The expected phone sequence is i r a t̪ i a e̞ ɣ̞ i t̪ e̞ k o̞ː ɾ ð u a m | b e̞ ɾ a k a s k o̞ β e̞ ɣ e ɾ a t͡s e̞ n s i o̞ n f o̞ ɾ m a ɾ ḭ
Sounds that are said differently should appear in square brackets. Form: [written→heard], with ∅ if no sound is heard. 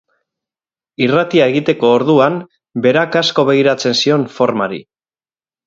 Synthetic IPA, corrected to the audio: i r a t̪ i a e̞ ɣ̞ i t̪ e̞ k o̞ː ɾ ð u a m | b e̞ ɾ a k a s k o̞ β e̞ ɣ [e→i] ɾ a t͡s e̞ n s i o̞ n f o̞ ɾ m a ɾ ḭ